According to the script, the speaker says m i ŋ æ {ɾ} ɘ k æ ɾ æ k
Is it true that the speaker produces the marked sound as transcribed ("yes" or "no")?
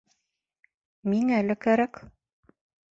no